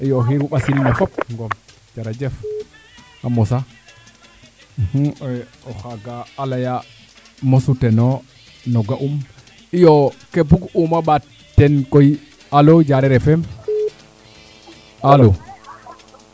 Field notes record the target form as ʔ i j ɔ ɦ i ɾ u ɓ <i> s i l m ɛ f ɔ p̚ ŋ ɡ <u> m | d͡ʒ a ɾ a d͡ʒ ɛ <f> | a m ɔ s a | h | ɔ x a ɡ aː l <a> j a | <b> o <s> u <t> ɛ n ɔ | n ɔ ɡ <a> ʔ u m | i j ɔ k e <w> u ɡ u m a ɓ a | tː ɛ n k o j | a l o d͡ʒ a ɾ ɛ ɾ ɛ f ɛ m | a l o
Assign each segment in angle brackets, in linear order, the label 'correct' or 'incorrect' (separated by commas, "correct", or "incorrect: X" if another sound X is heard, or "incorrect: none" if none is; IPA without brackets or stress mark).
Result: incorrect: a, incorrect: ɔ, correct, correct, incorrect: m, correct, correct, correct, incorrect: b